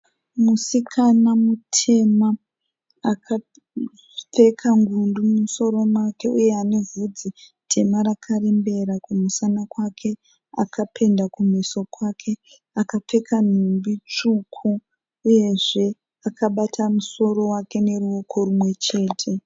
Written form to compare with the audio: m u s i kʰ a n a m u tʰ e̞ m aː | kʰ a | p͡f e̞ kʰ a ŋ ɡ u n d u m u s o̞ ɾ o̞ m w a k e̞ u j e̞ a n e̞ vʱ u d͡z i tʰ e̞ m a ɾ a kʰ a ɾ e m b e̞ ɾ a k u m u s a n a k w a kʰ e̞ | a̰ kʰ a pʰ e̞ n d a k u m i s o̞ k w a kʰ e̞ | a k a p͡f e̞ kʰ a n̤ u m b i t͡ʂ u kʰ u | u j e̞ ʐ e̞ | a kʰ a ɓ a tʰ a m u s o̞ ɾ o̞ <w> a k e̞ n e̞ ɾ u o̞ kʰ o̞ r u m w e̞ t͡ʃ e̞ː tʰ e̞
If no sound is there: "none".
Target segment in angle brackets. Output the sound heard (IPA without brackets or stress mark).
w